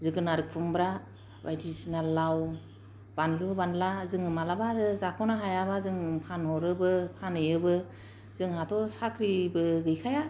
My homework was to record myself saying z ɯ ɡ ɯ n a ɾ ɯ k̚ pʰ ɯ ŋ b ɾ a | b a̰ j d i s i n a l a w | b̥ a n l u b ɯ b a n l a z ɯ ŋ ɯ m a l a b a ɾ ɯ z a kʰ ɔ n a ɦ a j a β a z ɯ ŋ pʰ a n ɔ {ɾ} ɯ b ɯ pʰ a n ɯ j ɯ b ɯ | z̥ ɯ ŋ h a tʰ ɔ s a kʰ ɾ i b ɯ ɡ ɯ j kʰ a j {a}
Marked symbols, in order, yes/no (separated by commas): yes, yes